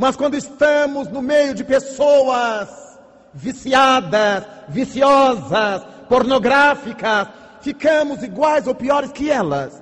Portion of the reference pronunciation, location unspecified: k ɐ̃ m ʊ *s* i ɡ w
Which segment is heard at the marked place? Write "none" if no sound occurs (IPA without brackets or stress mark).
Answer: z